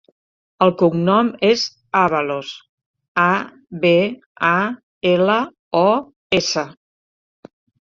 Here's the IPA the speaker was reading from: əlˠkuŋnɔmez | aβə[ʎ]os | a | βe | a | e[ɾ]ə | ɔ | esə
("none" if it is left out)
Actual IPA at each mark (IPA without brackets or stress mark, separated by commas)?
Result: l, l